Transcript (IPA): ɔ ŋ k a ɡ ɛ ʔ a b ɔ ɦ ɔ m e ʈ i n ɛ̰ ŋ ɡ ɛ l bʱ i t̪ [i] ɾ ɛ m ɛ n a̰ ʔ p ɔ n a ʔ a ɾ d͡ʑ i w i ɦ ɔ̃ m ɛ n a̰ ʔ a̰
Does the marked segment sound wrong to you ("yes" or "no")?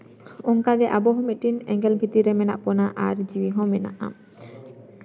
no